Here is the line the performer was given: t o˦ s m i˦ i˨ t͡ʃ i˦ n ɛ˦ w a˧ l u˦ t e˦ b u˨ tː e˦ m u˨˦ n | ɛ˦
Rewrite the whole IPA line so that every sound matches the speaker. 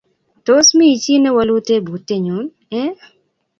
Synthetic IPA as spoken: t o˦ s m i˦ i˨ t͡ʃ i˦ n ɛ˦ w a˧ l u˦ t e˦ b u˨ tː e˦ ɲ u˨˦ n | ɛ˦